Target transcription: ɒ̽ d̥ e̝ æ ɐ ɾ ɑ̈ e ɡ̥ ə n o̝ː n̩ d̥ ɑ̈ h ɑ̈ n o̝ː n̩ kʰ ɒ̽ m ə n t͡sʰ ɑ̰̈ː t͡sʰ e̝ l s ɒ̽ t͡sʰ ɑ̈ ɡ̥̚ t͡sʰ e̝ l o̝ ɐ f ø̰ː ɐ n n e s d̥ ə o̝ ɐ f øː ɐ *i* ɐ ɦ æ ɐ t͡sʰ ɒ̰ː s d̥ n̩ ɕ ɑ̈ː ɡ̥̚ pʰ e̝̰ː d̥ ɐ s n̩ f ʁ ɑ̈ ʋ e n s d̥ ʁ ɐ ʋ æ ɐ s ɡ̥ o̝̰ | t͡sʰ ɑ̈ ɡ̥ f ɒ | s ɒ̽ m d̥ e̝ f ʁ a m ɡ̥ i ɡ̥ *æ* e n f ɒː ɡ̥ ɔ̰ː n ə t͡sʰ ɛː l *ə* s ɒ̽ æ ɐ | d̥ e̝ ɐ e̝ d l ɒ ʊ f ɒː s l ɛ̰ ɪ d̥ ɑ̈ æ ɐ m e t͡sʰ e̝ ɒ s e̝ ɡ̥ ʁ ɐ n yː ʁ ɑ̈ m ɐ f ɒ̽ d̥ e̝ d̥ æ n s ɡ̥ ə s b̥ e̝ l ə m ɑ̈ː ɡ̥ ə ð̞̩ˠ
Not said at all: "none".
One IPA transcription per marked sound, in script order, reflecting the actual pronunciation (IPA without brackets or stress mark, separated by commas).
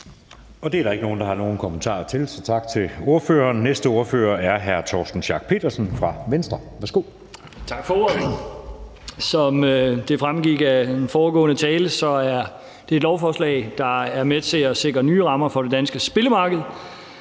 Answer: æ, æ, ə